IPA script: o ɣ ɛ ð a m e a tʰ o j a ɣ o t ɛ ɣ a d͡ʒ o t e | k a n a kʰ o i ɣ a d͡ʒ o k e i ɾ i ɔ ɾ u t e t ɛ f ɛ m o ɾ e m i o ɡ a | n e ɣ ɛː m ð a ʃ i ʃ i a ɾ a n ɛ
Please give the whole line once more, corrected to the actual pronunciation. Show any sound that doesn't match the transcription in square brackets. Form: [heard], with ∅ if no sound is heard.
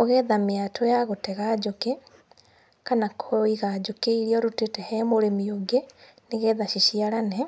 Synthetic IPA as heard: o ɣ ɛ ð a m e a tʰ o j a ɣ o t ɛ ɣ a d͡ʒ o [k] e | k a n a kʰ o i ɣ a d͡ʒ o k e i ɾ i ɔ ɾ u t e t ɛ [h] ɛ m o ɾ e m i o ɡ [e] | n e ɣ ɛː [∅] ð a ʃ i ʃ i a ɾ a n ɛ